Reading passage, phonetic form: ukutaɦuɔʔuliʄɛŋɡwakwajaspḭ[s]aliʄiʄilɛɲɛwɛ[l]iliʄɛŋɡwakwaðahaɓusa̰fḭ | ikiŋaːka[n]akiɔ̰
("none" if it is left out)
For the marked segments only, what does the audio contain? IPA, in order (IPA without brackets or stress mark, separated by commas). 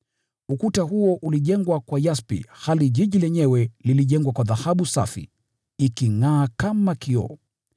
h, l, m